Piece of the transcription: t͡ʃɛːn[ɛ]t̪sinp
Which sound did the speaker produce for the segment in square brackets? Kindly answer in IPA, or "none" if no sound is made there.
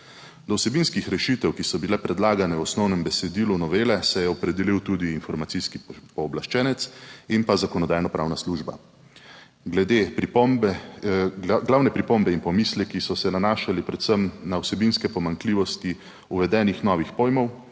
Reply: ɛ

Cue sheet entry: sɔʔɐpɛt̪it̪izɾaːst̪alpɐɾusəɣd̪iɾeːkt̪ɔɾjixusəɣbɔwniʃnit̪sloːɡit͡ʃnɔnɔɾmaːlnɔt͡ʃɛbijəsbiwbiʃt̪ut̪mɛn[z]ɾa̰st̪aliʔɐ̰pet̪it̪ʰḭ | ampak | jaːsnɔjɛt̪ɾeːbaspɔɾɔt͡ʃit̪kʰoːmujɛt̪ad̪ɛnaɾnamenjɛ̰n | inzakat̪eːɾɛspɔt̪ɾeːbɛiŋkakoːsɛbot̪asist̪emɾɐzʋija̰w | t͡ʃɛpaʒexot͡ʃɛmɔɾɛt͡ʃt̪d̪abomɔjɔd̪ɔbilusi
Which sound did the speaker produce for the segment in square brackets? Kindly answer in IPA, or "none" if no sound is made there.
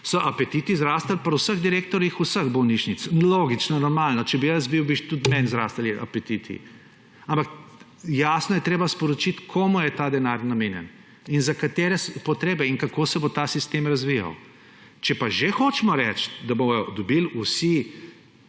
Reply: z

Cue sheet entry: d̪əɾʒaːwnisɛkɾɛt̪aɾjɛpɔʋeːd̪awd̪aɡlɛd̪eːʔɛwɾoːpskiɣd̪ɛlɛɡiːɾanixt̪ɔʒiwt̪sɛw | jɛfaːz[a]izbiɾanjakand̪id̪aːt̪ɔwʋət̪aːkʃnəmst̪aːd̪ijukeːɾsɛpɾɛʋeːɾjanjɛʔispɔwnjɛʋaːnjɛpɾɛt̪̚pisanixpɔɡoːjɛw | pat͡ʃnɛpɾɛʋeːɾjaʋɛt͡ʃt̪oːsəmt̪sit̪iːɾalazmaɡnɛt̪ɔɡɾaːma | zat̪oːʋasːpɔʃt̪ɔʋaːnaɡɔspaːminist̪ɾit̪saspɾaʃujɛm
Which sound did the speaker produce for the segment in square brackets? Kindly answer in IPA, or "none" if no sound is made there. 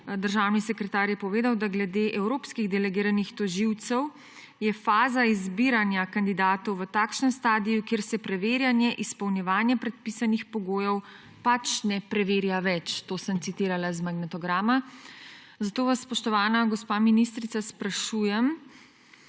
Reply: a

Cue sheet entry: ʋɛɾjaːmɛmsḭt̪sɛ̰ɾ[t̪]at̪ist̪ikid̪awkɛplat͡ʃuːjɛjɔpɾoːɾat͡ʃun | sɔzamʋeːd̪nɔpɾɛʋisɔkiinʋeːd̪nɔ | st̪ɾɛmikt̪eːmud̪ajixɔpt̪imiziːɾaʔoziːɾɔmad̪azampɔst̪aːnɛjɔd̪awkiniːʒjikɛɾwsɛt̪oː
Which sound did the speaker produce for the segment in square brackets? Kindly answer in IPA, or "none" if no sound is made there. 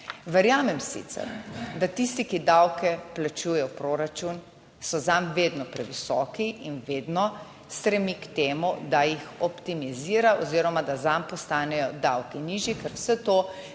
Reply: d̪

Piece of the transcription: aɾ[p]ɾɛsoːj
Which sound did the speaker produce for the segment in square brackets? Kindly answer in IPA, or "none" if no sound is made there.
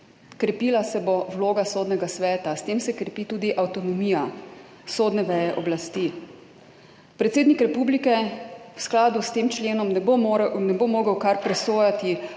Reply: p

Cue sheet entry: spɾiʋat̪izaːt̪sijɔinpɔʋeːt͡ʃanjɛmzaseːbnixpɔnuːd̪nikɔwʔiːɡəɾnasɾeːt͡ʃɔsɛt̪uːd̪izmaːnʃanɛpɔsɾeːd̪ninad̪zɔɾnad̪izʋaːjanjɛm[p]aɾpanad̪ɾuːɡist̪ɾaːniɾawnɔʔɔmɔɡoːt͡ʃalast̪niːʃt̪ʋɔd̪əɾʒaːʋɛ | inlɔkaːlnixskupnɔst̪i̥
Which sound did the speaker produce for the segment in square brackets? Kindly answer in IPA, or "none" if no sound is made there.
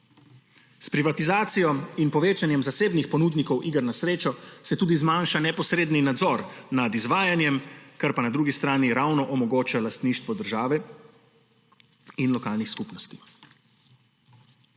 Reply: k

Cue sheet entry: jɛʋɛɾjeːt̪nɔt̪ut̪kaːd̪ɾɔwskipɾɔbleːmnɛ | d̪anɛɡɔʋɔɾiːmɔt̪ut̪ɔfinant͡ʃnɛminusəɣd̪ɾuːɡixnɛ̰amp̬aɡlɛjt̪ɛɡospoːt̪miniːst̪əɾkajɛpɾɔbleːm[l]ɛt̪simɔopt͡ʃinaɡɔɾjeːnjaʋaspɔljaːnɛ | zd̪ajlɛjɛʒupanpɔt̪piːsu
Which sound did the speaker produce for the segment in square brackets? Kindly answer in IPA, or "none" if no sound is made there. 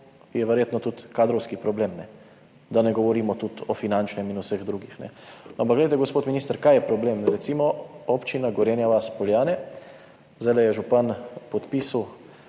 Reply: ɾ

